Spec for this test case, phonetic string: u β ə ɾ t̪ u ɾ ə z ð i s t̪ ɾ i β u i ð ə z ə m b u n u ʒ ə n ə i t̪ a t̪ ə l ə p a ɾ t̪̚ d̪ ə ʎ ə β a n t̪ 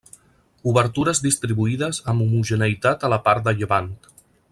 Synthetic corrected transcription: u β ə ɾ t̪ u ɾ ə z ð i s t̪ ɾ i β u i ð ə z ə m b u m u ʒ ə n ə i t̪ a t̪ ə l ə p a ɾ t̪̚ d̪ ə ʎ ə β a n t̪